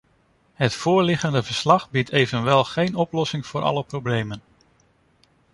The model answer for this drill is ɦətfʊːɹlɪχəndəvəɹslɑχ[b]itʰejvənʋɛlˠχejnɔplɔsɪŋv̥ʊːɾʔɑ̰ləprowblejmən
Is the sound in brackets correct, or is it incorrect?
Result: correct